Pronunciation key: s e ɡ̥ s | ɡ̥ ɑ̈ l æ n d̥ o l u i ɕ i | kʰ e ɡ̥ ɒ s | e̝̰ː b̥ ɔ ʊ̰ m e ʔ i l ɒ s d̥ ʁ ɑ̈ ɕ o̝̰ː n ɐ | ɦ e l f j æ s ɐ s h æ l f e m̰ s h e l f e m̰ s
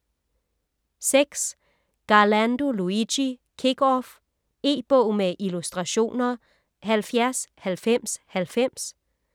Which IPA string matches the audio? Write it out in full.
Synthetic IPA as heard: s e ɡ̥ s | ɡ̥ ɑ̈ l æ n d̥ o l u i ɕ i | kʰ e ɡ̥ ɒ f | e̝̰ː b̥ ɔ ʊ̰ m e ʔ i l u s d̥ ʁ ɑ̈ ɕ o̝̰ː n ɐ | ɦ æ l f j æ ɐ s h æ l f e m̰ s h æ l f e m̰ s